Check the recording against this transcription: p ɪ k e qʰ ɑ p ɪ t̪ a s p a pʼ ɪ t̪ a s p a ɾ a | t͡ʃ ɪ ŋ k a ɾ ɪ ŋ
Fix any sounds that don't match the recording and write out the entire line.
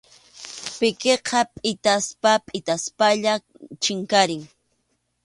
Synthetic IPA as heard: p ɪ k e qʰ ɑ pʼ ɪ t̪ a s p a pʼ ɪ t̪ a s p a ʎ a | t͡ʃ ɪ ŋ k a ɾ ɪ ŋ